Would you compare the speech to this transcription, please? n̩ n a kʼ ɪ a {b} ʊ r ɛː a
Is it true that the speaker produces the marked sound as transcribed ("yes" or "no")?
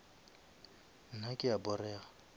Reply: yes